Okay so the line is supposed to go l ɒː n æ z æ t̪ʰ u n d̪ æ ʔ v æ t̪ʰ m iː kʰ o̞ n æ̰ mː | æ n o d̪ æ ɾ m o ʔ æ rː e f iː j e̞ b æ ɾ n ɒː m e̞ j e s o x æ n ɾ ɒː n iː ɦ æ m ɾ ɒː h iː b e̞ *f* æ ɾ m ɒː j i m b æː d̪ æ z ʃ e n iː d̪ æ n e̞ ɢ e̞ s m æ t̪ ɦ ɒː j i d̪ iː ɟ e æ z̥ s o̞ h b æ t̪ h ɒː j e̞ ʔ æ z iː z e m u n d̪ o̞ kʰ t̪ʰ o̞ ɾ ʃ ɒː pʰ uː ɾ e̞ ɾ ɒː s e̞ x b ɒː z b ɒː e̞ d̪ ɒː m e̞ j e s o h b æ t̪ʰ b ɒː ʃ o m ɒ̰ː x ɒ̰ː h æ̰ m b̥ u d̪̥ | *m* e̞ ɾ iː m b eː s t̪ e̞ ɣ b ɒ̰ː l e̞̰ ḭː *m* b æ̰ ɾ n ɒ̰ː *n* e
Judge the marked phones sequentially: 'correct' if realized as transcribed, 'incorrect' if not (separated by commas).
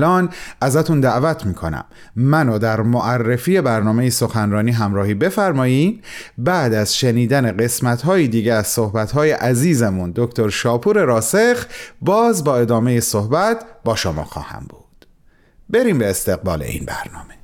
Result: correct, incorrect, incorrect, incorrect